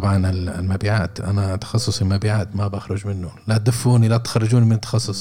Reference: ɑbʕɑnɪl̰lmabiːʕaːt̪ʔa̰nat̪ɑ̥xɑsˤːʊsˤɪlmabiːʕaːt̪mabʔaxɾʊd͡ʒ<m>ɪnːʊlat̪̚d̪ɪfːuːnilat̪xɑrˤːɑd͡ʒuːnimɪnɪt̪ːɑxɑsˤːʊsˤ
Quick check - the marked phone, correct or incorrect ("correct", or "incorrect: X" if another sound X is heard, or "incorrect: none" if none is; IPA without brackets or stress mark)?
correct